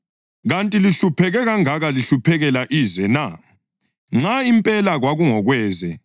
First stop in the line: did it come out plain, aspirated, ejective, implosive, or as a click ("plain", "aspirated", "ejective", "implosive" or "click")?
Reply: ejective